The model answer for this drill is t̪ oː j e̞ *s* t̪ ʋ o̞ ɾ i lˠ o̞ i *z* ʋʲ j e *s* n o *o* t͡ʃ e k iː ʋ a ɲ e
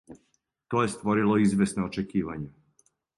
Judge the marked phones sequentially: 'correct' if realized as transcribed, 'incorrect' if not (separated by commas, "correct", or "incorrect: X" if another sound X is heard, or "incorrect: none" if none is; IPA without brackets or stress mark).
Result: correct, correct, correct, correct